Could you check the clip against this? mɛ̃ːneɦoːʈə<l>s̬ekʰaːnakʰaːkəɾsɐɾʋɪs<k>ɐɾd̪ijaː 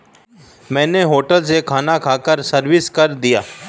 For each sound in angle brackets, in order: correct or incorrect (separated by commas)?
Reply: correct, correct